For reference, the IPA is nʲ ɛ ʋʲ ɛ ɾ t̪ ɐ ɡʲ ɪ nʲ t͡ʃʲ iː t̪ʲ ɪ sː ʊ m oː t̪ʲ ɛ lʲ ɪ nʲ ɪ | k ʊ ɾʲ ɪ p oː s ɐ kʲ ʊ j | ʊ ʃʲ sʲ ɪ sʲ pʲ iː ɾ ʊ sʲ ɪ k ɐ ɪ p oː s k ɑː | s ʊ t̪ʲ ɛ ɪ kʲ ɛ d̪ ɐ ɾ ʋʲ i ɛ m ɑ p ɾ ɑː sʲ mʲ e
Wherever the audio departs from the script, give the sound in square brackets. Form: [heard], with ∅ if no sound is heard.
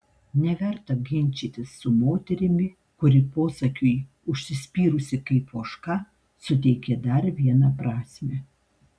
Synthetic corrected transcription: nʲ ɛ ʋʲ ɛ ɾ t̪ ɐ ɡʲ ɪ nʲ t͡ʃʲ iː t̪ʲ ɪ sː ʊ m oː t̪ʲ ɛ [ɾʲ] ɪ [mʲ] ɪ | k ʊ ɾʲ ɪ p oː s ɐ kʲ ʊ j | ʊ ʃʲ sʲ ɪ sʲ pʲ iː ɾ ʊ sʲ ɪ k ɐ ɪ p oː [ʃ] k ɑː | s ʊ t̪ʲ ɛ ɪ kʲ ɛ d̪ ɐ ɾ ʋʲ i ɛ [n] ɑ p ɾ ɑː sʲ mʲ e